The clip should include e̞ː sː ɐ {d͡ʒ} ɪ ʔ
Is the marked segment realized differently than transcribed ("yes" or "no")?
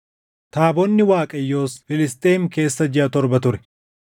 no